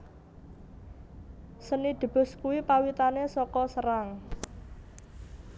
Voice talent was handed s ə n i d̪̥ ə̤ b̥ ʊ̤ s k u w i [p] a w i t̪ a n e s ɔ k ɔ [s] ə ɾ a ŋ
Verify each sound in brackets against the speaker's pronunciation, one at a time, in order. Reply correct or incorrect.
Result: correct, correct

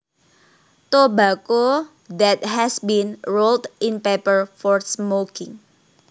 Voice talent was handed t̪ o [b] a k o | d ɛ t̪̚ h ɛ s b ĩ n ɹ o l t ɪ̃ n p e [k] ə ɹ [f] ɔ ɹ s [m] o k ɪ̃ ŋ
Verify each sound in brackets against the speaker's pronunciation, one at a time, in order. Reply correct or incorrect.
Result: correct, incorrect: p, correct, correct

